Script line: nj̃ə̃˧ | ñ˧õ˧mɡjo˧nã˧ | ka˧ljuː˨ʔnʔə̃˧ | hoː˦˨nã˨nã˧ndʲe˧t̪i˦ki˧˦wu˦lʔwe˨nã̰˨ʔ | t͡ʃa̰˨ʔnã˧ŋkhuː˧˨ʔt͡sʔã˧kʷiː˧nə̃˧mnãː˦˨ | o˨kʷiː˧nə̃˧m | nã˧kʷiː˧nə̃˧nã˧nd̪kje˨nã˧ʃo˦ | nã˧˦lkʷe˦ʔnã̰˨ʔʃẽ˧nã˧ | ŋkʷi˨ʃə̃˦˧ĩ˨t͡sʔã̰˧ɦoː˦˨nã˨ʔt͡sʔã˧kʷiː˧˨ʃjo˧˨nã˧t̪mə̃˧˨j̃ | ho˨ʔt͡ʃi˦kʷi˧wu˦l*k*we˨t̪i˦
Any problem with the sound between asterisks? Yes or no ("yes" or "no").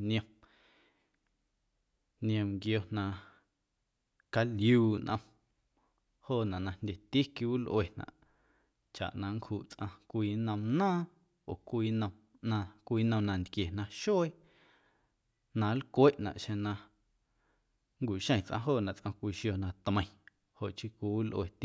yes